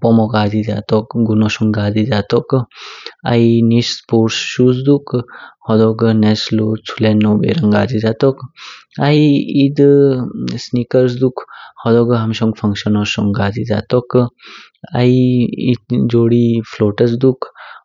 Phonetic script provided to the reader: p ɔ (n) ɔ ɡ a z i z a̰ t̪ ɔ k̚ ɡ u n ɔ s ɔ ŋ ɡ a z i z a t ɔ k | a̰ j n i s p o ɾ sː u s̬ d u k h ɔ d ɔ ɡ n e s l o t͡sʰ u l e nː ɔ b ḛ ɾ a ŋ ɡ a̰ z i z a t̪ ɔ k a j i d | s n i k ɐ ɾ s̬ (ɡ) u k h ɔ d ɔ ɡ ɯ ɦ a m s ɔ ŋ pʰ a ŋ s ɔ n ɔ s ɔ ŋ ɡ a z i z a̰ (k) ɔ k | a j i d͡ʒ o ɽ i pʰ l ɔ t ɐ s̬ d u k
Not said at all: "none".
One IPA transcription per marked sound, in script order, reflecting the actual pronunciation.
m, d, t

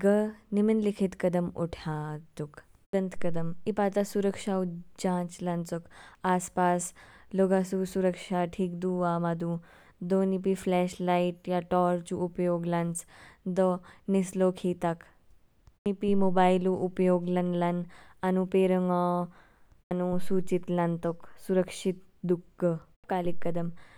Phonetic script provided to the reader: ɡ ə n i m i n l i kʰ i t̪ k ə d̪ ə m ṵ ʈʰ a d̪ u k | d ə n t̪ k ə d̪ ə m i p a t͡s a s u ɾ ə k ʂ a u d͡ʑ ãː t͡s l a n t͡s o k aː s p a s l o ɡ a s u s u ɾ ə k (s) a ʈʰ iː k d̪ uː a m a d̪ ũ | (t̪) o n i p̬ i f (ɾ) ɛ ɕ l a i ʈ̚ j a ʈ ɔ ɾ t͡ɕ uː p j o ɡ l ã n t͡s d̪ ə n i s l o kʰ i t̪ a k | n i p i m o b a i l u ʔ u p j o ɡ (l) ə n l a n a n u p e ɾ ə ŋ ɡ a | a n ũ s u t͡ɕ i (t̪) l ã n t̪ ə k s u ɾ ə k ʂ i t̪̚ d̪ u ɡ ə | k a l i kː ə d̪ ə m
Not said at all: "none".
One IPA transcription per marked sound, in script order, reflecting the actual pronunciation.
ʂ, d̪, l, l, t̪

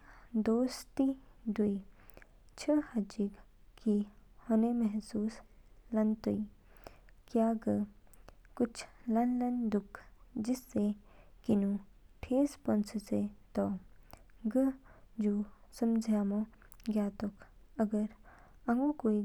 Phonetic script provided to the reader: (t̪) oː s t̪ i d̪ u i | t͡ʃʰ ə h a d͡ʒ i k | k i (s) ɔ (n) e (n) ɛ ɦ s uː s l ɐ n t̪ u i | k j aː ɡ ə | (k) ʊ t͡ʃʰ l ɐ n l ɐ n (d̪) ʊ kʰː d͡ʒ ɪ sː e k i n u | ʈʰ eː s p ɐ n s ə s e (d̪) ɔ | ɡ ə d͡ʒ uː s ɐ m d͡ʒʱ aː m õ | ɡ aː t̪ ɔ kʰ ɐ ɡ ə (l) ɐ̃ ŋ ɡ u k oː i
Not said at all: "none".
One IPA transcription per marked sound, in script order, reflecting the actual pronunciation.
d̪, h, n, m, k, d̪, t̪, ɾ

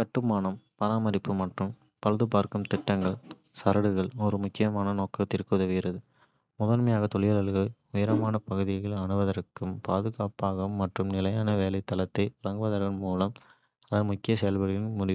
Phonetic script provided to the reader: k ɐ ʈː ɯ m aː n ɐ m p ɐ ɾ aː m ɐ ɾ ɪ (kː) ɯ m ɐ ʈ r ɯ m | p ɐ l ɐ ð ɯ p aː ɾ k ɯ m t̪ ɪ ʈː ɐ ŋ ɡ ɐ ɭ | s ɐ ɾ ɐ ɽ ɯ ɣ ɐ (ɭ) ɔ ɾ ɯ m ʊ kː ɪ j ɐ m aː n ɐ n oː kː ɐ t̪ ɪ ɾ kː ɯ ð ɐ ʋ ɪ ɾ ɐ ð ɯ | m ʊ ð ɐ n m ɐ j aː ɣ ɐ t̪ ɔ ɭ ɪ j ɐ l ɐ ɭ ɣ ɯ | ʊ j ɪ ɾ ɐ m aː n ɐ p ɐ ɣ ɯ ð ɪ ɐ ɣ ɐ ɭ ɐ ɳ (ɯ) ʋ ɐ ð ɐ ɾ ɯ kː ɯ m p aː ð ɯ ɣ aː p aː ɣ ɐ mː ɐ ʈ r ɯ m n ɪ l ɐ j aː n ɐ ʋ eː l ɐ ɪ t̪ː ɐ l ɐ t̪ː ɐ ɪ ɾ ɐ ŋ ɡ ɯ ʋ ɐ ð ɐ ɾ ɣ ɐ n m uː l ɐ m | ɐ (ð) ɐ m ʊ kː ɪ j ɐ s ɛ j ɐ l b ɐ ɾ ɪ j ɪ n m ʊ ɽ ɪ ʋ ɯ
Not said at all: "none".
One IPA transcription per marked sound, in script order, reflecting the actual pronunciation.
pː, ɭ, ɯ, ð

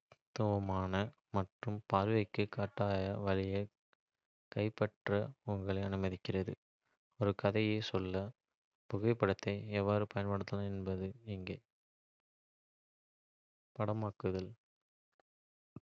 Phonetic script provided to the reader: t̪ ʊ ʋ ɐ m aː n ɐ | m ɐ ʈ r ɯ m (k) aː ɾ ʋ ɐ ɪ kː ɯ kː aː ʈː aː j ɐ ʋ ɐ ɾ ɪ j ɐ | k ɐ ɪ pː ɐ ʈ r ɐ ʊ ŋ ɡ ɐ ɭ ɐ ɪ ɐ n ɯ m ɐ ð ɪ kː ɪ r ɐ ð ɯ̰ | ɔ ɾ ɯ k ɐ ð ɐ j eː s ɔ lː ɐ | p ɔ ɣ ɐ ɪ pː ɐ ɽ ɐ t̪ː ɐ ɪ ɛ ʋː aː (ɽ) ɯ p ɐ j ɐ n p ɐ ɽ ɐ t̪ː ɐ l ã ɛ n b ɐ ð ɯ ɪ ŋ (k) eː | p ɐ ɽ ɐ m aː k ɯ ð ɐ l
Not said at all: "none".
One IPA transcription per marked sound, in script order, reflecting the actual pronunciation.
p, ɾ, ɡ

